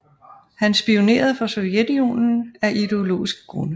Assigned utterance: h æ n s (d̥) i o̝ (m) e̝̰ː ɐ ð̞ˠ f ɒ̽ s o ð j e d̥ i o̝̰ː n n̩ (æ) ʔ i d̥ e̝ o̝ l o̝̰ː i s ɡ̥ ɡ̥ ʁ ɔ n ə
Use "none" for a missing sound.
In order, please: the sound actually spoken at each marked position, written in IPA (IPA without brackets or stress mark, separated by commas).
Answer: b̥, n, æ